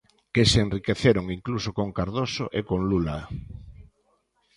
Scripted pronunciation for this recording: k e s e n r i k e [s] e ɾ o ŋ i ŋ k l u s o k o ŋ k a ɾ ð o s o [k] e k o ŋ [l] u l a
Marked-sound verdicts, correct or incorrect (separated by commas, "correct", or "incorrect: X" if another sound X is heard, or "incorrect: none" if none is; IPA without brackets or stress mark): incorrect: θ, incorrect: ʔ, correct